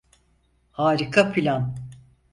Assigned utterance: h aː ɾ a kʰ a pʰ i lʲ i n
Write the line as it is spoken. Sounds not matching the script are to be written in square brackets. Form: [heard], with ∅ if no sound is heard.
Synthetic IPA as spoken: h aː ɾ [i] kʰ a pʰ i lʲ [a] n